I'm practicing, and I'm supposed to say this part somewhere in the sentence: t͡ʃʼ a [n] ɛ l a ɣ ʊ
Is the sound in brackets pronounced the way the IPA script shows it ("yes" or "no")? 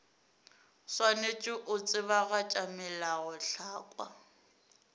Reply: no